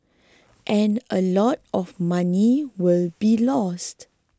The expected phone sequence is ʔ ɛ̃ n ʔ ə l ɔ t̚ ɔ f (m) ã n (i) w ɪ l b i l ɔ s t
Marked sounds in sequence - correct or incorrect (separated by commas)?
correct, correct